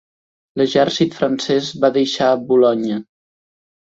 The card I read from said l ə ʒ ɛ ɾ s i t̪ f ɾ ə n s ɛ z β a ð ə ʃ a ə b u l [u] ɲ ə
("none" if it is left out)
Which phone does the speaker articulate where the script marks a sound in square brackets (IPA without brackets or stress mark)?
ɔ